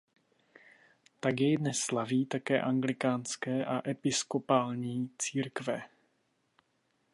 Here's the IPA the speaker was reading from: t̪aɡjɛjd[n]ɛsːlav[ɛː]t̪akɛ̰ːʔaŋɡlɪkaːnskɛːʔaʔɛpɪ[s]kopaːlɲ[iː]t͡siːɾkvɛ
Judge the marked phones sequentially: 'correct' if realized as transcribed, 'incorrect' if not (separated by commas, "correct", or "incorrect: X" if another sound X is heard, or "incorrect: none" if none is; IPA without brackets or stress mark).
correct, incorrect: iː, correct, correct